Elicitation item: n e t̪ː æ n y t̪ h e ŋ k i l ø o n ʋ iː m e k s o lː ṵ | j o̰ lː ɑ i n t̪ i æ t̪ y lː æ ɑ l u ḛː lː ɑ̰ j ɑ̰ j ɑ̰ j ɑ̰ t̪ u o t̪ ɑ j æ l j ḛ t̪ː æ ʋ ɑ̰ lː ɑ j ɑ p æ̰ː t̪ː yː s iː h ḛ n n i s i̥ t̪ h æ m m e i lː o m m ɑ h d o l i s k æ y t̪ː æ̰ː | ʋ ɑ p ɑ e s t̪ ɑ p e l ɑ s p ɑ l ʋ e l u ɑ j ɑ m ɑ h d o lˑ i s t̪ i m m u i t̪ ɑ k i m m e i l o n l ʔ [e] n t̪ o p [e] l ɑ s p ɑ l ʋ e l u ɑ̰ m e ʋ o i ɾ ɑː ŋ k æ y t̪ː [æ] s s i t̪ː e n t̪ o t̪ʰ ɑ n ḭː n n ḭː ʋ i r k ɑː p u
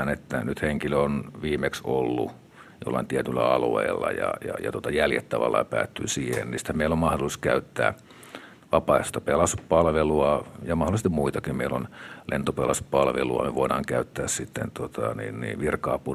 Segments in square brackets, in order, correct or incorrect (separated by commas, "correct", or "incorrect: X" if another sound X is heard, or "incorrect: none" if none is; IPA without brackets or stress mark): correct, correct, incorrect: æː